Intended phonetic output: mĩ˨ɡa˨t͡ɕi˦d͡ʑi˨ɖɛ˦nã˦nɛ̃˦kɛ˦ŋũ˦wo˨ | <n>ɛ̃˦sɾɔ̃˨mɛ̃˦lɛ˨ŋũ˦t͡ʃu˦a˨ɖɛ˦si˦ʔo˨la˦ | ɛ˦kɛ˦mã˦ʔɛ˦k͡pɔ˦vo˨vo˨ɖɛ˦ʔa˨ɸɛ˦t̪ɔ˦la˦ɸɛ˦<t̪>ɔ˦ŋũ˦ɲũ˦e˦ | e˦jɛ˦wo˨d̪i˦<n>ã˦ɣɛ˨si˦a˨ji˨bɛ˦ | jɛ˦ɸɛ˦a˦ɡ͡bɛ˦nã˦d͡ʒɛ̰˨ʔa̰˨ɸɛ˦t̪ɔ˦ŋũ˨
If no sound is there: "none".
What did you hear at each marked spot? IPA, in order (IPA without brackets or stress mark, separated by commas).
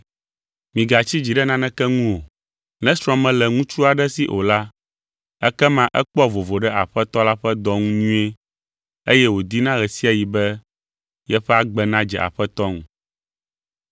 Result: n, d̪, n